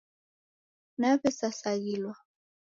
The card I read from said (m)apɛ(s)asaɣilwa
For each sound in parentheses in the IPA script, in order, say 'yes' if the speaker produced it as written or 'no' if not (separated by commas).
no, yes